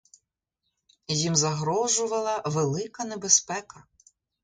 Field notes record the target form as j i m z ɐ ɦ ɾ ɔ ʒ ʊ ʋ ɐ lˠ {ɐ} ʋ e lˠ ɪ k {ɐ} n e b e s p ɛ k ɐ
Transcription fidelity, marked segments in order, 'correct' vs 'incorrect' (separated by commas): correct, correct